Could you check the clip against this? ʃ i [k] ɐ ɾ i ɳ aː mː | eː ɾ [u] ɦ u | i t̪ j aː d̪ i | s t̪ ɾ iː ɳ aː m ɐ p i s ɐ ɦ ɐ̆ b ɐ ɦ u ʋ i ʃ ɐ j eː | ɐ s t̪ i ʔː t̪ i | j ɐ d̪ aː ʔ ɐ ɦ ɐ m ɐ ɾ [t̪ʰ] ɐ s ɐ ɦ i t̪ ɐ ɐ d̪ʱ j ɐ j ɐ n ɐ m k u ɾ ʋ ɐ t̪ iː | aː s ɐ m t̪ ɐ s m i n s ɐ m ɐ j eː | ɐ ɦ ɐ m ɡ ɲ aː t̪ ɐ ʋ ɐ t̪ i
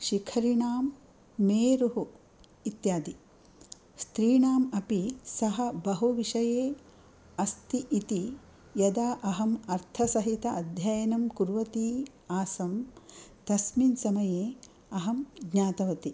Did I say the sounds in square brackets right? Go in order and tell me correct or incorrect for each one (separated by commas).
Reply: incorrect, correct, correct